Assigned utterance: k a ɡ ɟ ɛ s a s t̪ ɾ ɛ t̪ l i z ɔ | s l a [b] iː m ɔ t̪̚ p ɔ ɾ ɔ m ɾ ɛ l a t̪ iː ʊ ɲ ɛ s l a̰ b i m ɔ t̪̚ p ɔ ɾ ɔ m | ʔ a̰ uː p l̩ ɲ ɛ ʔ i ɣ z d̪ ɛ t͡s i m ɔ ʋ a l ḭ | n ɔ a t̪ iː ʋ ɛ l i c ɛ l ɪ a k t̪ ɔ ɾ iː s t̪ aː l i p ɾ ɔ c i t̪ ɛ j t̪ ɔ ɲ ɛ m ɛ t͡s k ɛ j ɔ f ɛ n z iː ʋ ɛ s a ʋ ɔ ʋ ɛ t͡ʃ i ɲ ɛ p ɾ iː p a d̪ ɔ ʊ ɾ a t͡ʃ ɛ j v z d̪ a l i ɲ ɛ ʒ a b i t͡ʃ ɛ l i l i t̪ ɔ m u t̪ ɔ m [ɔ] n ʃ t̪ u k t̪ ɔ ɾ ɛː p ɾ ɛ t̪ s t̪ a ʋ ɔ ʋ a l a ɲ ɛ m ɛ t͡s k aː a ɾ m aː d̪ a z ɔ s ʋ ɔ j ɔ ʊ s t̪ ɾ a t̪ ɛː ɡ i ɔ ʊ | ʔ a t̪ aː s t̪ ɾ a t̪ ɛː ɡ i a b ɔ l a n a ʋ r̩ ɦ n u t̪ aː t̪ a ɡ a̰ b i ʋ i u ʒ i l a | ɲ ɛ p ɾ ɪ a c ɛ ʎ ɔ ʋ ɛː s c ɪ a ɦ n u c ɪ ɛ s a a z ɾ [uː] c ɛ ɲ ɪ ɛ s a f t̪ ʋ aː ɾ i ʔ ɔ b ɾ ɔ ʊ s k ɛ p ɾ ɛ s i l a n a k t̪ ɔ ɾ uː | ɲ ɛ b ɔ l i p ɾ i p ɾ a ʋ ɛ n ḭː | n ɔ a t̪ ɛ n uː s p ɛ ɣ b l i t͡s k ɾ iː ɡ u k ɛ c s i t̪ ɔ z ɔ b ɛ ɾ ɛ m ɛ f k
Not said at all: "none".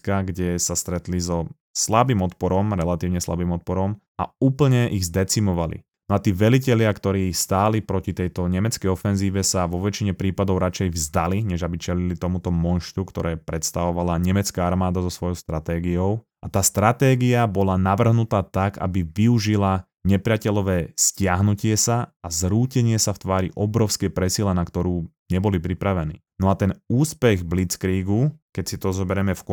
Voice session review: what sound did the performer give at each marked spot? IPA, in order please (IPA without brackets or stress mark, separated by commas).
b, ɔ, uː